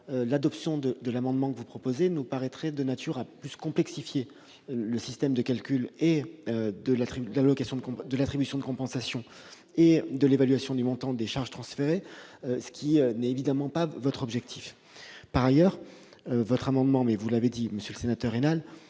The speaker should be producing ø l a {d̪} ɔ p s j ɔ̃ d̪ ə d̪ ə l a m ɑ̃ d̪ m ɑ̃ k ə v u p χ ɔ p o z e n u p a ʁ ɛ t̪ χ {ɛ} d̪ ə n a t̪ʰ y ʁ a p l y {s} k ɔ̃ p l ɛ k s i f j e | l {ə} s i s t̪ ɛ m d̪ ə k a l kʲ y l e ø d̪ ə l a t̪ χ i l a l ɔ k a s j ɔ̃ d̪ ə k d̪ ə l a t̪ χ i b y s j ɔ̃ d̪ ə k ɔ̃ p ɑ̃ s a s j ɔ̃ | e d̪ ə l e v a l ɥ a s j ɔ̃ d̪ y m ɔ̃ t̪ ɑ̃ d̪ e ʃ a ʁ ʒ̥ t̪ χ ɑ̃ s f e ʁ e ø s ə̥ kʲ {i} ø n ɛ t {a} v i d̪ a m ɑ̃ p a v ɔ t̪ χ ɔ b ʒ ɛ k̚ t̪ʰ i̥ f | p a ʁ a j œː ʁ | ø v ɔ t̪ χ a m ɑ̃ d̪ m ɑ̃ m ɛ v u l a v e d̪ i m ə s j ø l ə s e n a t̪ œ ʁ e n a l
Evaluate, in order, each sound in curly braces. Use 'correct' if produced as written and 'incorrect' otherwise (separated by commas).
correct, correct, correct, correct, correct, incorrect